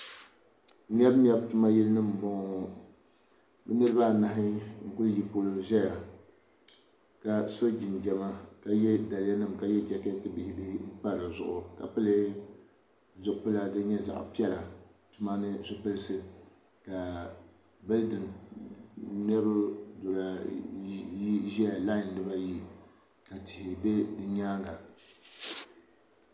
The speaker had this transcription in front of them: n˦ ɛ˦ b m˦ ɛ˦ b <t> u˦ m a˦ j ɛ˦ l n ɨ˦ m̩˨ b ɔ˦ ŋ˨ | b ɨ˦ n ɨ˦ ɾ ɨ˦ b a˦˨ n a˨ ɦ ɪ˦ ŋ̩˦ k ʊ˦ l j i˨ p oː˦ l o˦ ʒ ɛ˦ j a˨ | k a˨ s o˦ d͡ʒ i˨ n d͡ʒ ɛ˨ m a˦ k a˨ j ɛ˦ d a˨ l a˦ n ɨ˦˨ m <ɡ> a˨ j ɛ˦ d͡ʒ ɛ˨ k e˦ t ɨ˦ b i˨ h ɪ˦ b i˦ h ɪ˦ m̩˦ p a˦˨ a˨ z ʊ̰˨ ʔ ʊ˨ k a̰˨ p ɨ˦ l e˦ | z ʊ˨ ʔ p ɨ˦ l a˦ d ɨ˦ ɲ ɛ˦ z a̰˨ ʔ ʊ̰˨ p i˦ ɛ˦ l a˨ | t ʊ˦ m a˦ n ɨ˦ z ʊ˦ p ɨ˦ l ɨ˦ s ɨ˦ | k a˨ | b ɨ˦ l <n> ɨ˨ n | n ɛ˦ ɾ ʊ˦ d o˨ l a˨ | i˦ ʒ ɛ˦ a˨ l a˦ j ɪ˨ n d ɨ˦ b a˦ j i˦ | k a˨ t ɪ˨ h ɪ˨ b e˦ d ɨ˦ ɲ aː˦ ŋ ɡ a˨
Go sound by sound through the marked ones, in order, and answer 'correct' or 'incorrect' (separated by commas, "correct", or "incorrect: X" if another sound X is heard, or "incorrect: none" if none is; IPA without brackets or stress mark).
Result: correct, incorrect: k, incorrect: d